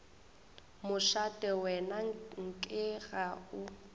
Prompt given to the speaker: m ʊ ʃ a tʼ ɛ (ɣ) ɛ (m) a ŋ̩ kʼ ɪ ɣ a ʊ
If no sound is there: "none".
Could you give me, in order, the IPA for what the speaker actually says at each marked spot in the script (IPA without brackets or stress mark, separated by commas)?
w, n